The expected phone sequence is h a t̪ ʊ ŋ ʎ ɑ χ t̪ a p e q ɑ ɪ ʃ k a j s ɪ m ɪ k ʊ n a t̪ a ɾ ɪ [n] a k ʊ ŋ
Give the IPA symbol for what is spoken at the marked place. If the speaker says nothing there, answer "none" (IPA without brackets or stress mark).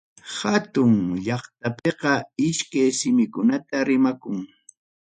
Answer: m